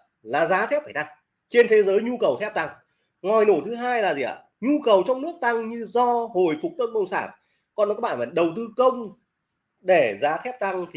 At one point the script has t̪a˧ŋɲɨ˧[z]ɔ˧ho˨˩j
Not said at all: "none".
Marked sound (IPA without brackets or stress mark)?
z